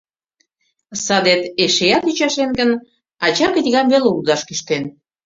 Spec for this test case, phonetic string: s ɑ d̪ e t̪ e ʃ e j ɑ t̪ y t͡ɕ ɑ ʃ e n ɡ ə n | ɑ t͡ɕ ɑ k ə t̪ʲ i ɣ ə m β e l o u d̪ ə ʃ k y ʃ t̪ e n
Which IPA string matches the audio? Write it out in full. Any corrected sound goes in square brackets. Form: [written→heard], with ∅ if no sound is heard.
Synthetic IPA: s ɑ d̪ e t̪ e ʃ e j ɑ t̪ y t͡ɕ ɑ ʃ e n ɡ ə n | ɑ t͡ɕ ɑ k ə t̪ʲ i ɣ [ə→ɑ] m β e l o u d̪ [ə→ɑ] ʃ k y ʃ t̪ e n